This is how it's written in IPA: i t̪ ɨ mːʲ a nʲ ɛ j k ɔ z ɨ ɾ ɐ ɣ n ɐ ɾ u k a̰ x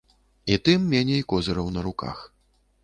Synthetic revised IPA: i t̪ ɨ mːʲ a nʲ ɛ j k ɔ z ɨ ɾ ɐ w n ɐ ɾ u k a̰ x

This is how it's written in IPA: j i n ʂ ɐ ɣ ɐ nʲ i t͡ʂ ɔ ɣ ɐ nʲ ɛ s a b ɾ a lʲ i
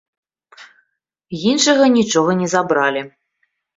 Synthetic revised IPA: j i n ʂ ɐ ɣ ɐ nʲ i t͡ʂ ɔ ɣ ɐ nʲ ɛ z a b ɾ a lʲ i

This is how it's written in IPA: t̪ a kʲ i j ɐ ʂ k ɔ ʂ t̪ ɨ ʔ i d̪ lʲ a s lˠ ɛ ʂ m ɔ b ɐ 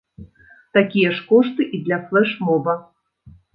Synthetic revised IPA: t̪ a kʲ i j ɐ ʂ k ɔ ʂ t̪ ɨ ʔ i d̪ lʲ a f lˠ ɛ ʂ m ɔ b ɐ

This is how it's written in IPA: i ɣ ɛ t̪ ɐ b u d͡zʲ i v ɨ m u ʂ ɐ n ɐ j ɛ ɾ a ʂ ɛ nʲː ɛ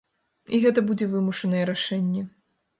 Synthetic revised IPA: i ɣ ɛ t̪ ɐ b u d͡zʲ ɛ v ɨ m u ʂ ɐ n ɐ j ɛ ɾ a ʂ ɛ nʲː ɛ

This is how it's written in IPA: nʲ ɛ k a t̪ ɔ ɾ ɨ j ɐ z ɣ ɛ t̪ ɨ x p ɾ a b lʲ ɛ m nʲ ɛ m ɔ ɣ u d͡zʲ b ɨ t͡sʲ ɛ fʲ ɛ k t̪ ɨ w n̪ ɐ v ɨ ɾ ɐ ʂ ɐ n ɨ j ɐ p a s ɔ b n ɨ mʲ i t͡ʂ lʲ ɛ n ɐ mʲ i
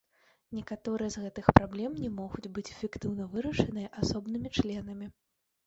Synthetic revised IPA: nʲ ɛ k a t̪ ɔ ɾ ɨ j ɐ z ɣ ɛ t̪ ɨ x p ɾ a b lʲ ɛ m nʲ ɛ m ɔ ɣ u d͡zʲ b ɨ t͡sʲ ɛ fʲ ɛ k t̪ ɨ w n̪ ɐ v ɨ ɾ ɐ ʂ ɐ n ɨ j ɐ ʔ a s ɔ b n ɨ mʲ i t͡ʂ lʲ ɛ n ɐ mʲ i

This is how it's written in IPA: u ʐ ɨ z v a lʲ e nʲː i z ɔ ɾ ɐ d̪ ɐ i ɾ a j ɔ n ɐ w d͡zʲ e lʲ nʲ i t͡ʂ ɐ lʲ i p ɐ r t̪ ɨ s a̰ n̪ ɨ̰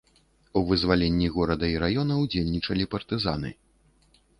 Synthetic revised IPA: u v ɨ z v a lʲ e nʲː i ɣ ɔ ɾ ɐ d̪ ɐ i ɾ a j ɔ n ɐ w d͡zʲ e lʲ nʲ i t͡ʂ ɐ lʲ i p ɐ r t̪ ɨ z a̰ n̪ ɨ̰

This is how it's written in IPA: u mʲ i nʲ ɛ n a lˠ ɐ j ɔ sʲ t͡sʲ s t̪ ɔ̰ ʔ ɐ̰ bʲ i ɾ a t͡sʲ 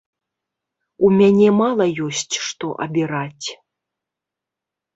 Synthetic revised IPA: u mʲ a nʲ ɛ m a lˠ ɐ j ɔ sʲ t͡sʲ ʂ t̪ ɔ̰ ʔ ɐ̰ bʲ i ɾ a t͡sʲ

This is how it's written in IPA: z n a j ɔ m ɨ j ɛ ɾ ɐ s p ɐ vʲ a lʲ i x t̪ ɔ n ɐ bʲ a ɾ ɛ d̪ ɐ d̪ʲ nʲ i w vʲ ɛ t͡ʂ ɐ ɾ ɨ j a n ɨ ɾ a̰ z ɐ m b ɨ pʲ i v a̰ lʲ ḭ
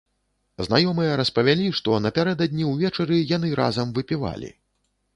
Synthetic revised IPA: z n a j ɔ m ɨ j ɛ ɾ ɐ s p ɐ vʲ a lʲ i ʂ t̪ ɔ n ɐ pʲ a ɾ ɛ d̪ ɐ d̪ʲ nʲ i w vʲ ɛ t͡ʂ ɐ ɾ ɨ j a n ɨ ɾ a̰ z ɐ m v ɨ pʲ i v a̰ lʲ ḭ

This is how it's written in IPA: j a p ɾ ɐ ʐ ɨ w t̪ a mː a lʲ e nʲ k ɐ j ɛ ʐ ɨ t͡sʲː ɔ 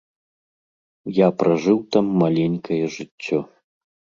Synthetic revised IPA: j a p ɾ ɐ ʐ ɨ w t̪ a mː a lʲ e nʲ k ɐ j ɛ ʐ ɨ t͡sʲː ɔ

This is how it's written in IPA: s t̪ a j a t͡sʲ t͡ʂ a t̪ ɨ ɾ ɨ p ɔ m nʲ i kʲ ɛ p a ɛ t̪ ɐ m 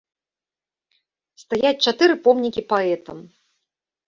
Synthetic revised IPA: s t̪ a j a t͡sʲ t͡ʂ a t̪ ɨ ɾ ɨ p ɔ m nʲ i kʲ i p a ɛ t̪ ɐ m

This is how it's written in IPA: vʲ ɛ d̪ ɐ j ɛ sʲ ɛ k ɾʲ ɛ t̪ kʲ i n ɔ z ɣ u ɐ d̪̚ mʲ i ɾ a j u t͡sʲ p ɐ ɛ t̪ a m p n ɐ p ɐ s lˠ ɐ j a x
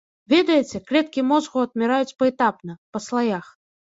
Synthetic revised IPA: vʲ ɛ d̪ ɐ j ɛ t͡sʲ ɛ k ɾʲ ɛ t̪ kʲ i m ɔ z ɣ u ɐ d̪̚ mʲ ɛ ɾ a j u t͡sʲ p ɐ ɛ t̪ a p n ɐ p ɐ s lˠ a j a x

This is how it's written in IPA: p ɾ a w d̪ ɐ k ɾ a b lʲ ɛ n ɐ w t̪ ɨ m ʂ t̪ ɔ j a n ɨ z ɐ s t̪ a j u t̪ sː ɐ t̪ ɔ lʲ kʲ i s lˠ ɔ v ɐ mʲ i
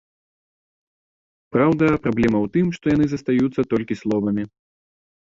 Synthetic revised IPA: p ɾ a w d̪ ɐ p ɾ a b lʲ ɛ m ɐ w t̪ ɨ m ʂ t̪ ɔ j a n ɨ z ɐ s t̪ a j u t̪ sː ɐ t̪ ɔ lʲ kʲ i s lˠ ɔ v ɐ mʲ i

